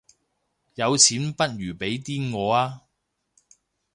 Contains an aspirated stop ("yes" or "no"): yes